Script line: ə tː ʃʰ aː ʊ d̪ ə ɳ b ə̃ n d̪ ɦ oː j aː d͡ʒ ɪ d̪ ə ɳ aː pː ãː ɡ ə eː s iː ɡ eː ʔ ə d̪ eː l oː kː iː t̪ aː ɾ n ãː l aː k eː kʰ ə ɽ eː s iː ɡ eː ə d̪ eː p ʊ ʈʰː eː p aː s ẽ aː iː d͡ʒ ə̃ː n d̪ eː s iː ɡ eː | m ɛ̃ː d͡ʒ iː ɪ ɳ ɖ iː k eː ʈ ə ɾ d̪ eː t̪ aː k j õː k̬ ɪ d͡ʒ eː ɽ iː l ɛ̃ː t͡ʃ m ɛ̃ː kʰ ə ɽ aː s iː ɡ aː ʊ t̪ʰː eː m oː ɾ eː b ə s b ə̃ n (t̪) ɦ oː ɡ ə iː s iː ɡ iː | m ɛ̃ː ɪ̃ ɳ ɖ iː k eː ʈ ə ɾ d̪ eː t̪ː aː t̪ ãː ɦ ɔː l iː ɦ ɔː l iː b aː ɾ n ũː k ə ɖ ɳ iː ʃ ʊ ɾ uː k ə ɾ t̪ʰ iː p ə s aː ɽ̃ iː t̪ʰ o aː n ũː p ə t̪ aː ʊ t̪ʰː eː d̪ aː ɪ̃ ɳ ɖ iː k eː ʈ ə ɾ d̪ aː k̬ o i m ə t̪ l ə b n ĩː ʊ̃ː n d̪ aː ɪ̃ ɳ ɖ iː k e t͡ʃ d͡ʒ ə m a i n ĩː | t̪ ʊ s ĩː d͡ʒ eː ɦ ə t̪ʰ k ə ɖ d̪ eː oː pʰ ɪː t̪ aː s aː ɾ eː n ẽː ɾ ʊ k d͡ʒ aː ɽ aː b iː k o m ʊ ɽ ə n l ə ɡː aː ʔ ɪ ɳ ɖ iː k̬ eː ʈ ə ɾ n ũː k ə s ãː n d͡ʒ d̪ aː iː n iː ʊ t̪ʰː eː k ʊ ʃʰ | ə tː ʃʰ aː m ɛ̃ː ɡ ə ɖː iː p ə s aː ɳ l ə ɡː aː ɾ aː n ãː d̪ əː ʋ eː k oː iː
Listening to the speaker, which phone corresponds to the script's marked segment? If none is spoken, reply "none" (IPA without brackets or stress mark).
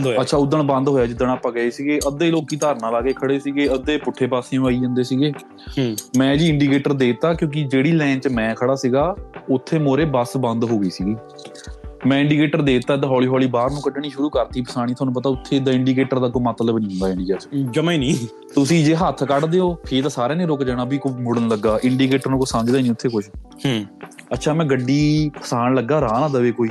d̪